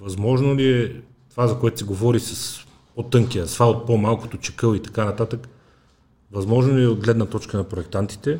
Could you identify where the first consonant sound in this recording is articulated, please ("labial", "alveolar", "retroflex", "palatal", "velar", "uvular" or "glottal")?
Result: labial